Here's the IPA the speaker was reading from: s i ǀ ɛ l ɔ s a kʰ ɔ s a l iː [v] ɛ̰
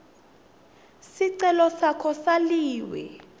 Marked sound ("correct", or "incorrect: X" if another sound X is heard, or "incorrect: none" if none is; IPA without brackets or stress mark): incorrect: w